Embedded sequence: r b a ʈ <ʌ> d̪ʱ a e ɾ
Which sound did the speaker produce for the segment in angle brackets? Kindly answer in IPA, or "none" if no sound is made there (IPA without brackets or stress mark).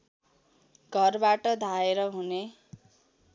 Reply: ʌ